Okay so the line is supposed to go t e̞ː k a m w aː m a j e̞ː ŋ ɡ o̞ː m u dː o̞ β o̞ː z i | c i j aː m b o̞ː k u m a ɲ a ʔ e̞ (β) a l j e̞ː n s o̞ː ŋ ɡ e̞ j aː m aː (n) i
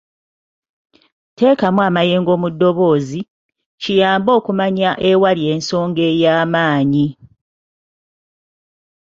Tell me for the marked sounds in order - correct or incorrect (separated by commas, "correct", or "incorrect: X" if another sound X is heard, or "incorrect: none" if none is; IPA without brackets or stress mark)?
incorrect: w, incorrect: ɲ